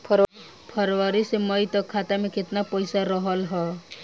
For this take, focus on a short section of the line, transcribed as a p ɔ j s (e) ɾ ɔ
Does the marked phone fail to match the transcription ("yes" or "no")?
yes